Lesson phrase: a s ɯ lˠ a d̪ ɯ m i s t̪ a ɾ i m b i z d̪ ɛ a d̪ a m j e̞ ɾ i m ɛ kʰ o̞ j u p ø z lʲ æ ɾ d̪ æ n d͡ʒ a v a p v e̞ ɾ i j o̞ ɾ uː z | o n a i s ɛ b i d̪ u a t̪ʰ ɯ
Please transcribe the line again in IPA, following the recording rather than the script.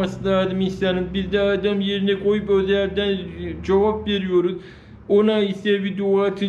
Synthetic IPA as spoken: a s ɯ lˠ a d̪ ɯ m i s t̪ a ɾ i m b i z d̪ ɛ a d̪ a m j e̞ ɾ i n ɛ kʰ o̞ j u p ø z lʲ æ ɾ d̪ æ n d͡ʒ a v a p v e̞ ɾ i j o̞ ɾ u z | o n a i s ɛ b i d̪ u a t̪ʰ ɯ